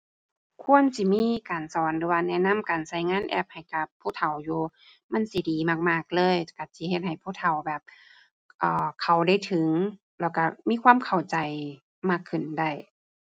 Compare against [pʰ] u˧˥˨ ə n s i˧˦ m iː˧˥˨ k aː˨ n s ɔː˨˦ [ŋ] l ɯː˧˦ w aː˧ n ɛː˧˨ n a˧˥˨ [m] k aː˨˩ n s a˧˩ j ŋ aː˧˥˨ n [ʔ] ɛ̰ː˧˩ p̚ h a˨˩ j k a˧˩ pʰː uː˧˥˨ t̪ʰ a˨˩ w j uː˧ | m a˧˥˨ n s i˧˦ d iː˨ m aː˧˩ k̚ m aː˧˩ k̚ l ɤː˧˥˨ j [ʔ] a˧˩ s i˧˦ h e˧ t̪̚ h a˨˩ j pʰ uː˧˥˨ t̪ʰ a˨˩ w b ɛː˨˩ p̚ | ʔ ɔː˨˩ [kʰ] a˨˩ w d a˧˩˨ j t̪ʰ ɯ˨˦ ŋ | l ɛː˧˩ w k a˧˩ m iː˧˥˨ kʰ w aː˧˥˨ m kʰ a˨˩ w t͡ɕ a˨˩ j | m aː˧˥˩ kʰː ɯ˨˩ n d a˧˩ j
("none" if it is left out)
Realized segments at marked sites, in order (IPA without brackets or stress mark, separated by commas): kʰ, n, m, ʔ, k, kʰ